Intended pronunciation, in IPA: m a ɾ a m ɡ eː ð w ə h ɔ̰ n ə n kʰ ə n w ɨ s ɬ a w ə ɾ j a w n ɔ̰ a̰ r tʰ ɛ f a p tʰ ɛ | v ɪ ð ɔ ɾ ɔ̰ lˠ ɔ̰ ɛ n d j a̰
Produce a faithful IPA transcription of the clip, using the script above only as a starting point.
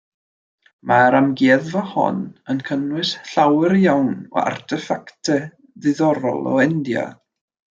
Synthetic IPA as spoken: m a ɾ a m ɡ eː ð v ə h ɔ̰ n ə n kʰ ə n w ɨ s ɬ a w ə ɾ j a w n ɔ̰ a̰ r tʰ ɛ f a k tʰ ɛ | ð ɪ ð ɔ ɾ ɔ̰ lˠ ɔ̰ ɛ n d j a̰